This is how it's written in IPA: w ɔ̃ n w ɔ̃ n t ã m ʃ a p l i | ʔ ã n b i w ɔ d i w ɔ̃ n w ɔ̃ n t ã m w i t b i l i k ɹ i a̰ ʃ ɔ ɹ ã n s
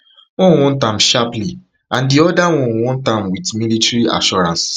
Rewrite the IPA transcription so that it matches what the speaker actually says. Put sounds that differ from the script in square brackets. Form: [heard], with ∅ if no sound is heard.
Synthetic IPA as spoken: w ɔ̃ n w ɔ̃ n t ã m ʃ a p l i | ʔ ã n [d] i [∅] ɔ d [a] w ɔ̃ n w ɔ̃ n t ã m w i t [m] i l i [t] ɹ i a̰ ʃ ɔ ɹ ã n s